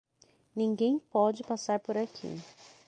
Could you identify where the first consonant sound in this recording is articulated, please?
alveolar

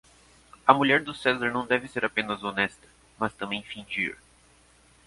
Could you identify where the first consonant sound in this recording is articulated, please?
labial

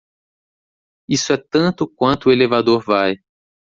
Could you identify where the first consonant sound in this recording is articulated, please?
alveolar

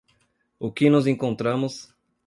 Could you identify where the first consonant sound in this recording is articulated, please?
velar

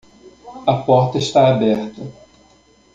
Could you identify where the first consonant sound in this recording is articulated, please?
labial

